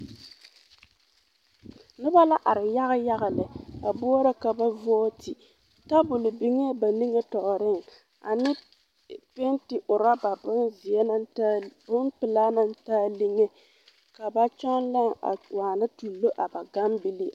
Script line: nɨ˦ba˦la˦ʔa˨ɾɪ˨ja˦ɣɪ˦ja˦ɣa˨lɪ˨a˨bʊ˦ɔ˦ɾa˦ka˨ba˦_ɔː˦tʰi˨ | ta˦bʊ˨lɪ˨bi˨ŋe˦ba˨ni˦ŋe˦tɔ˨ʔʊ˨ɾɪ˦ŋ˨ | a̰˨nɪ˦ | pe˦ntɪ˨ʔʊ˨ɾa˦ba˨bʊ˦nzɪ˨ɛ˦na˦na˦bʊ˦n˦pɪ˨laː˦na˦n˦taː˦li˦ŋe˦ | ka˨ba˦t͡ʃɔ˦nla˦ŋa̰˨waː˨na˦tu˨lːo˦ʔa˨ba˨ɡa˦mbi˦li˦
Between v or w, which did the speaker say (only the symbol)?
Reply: v